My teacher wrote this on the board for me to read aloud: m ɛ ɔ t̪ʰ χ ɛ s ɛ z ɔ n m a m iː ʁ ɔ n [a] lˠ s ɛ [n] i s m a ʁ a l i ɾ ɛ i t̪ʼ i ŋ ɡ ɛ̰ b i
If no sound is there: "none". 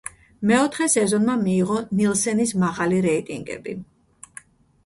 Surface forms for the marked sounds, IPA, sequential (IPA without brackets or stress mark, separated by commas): i, n